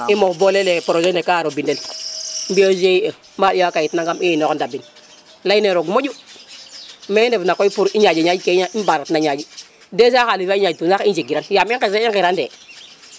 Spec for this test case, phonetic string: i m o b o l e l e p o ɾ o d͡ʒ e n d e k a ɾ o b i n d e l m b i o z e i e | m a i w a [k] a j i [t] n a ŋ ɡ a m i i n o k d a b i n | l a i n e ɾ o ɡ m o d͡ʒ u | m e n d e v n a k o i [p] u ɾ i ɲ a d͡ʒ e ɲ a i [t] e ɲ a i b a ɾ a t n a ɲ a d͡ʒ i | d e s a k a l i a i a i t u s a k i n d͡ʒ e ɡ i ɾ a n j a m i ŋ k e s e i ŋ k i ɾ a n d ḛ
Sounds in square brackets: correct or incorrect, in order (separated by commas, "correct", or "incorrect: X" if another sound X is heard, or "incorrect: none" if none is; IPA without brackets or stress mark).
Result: correct, correct, correct, incorrect: k